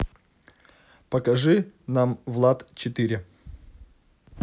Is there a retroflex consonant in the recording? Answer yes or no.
yes